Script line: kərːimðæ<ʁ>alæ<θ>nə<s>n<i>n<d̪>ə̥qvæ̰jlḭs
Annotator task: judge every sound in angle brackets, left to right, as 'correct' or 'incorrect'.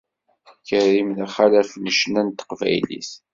incorrect: χ, incorrect: f, incorrect: ʃ, incorrect: æ, incorrect: t̪

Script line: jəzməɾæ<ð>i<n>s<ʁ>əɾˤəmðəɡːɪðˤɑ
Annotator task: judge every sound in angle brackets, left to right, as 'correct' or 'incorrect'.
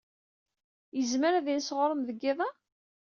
correct, correct, correct

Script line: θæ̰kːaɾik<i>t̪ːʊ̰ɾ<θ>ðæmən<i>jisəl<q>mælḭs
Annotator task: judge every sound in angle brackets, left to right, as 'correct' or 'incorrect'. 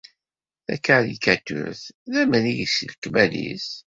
incorrect: æ, correct, correct, incorrect: k

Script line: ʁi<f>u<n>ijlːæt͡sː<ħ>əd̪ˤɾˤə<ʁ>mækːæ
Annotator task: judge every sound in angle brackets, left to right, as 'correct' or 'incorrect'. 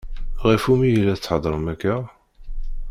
correct, incorrect: m, correct, incorrect: none

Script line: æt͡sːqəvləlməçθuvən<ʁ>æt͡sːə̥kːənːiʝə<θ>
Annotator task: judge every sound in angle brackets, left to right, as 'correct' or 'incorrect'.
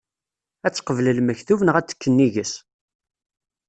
correct, incorrect: s

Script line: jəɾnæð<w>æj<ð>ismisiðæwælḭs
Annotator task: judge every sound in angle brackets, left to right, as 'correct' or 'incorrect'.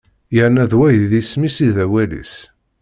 correct, correct

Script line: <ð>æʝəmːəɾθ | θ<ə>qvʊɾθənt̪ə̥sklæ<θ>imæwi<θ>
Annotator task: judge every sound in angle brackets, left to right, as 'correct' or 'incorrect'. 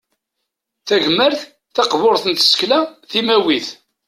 incorrect: θ, incorrect: ɑ, correct, correct

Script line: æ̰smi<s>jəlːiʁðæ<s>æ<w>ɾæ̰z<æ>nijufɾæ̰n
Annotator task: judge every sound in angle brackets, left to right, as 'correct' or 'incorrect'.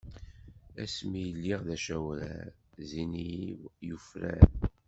incorrect: none, incorrect: ʃ, correct, incorrect: i

